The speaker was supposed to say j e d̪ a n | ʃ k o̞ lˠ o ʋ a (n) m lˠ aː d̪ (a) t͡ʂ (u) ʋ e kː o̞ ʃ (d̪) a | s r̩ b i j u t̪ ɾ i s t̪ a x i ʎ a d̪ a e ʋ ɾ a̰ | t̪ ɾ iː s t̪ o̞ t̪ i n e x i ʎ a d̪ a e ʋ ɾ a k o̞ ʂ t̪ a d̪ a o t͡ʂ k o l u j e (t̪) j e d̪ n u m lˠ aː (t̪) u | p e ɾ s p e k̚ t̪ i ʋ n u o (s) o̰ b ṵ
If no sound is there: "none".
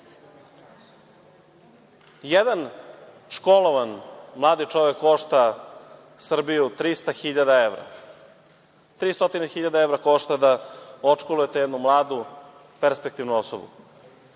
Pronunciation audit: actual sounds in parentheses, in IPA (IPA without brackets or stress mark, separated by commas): n, i, o, t̪, t̪, d̪, s